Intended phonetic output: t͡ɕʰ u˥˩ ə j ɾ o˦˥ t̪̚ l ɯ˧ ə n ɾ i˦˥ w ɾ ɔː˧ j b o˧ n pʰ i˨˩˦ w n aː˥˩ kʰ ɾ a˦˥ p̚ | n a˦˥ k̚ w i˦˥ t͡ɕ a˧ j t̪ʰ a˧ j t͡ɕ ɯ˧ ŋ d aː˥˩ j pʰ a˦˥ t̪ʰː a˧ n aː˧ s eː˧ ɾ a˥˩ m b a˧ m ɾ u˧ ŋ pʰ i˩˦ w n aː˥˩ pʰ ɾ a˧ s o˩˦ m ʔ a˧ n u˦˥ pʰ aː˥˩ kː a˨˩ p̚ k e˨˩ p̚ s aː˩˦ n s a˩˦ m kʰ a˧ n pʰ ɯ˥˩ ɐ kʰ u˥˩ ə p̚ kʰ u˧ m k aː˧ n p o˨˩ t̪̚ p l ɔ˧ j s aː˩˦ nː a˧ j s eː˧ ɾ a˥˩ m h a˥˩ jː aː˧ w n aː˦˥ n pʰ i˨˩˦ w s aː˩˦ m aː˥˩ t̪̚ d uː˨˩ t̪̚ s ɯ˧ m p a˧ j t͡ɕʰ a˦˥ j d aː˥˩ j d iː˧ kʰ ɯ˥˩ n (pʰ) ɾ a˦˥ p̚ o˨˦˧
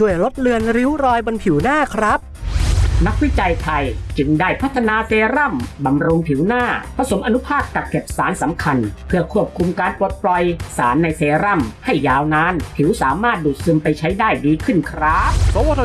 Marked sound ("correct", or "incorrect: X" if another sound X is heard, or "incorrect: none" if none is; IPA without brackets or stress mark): incorrect: kʰ